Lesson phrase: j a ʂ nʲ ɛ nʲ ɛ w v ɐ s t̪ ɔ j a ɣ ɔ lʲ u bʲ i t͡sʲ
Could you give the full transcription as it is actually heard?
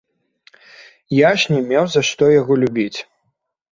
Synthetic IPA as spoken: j a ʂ nʲ ɛ mʲ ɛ w z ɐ ʂ t̪ ɔ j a ɣ ɔ lʲ u bʲ i t͡sʲ